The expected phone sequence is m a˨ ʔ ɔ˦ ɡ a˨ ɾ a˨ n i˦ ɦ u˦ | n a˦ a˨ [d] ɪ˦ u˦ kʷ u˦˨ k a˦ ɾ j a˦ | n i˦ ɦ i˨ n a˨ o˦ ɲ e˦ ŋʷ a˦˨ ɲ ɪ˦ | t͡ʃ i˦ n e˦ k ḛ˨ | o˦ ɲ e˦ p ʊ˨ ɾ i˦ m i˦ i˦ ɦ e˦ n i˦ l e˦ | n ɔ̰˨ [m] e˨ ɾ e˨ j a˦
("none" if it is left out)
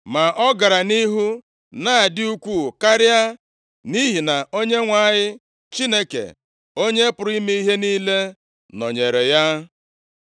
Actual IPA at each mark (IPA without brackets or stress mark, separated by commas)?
d, ɲ